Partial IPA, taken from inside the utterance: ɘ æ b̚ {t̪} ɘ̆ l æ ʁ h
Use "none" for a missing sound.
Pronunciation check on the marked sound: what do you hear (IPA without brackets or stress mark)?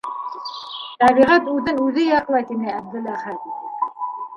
d̪